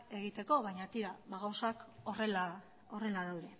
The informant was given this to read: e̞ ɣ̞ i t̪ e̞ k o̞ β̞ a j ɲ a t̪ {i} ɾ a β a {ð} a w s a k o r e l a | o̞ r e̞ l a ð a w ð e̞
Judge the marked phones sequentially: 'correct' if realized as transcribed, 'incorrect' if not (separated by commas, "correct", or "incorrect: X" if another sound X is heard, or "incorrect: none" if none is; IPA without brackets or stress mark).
correct, incorrect: ɣ